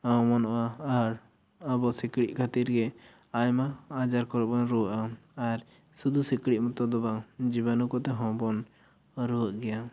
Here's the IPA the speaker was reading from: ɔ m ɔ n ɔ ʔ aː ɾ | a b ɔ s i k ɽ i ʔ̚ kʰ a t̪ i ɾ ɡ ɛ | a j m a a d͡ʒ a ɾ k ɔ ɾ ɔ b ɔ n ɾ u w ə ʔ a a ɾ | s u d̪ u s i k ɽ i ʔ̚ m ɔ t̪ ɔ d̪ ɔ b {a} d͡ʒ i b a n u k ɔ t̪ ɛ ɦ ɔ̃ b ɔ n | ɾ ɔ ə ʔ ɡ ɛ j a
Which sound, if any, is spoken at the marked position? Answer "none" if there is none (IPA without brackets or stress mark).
a